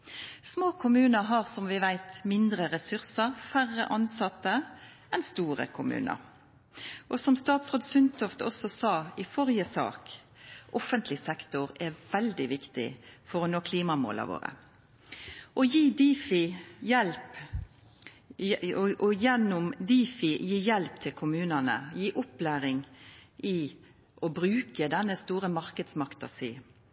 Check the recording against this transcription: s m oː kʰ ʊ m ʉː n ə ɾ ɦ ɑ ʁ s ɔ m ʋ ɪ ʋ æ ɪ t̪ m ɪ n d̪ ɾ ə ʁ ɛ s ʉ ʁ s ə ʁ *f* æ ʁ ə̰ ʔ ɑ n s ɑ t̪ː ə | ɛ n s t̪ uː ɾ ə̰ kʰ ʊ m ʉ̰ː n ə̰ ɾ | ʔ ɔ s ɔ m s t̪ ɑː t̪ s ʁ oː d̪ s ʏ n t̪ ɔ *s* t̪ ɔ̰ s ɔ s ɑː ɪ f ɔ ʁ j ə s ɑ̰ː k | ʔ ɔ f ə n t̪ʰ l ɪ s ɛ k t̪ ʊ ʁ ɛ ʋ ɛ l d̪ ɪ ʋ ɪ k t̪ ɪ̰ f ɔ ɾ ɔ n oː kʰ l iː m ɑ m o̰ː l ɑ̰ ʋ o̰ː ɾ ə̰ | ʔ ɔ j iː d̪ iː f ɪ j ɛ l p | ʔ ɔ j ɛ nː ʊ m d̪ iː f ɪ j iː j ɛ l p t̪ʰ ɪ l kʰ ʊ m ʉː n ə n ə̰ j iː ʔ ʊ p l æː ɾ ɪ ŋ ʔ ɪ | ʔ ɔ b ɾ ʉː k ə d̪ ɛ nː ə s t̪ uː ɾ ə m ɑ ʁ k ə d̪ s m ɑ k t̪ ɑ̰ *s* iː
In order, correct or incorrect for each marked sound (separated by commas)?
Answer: correct, incorrect, correct